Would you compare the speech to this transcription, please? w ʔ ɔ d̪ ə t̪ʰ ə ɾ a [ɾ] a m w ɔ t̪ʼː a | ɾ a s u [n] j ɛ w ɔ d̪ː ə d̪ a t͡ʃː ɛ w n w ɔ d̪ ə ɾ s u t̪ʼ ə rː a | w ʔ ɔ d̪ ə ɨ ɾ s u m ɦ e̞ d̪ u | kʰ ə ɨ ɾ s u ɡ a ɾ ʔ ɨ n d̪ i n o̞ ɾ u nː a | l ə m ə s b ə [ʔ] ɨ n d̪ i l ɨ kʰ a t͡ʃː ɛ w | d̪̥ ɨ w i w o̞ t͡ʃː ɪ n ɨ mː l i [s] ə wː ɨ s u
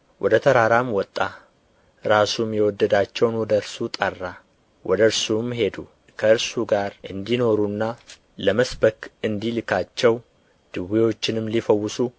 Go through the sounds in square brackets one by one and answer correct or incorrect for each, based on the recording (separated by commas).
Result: correct, incorrect, incorrect, incorrect